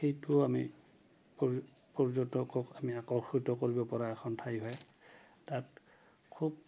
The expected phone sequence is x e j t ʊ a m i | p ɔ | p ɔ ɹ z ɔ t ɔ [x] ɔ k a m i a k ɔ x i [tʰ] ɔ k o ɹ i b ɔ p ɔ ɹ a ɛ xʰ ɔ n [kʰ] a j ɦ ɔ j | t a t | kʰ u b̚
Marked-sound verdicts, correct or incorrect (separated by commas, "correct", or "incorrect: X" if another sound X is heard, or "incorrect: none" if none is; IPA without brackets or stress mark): incorrect: k, incorrect: t, incorrect: tʰ